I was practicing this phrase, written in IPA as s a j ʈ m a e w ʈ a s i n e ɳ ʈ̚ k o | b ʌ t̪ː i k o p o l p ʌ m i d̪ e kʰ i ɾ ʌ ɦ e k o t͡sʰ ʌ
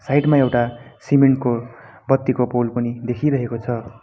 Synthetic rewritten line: s a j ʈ m a e w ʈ a s i m e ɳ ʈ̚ k o | b ʌ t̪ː i k o p o l p ʌ n i d̪ e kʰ i ɾ ʌ ɦ e k o t͡sʰ ʌ